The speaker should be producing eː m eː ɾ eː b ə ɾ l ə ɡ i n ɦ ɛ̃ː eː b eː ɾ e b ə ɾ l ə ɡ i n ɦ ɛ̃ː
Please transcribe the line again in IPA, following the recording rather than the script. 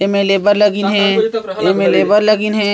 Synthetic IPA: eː m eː l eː b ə ɾ l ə ɡ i n ɦ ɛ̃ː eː m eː l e b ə ɾ l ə ɡ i n ɦ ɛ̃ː